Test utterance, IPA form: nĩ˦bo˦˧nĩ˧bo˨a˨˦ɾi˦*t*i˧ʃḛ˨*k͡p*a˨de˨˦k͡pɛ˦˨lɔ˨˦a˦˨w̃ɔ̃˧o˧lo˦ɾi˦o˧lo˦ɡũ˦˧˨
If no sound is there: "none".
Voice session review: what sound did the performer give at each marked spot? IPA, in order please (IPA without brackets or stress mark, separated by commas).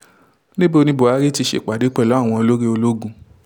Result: t, k͡p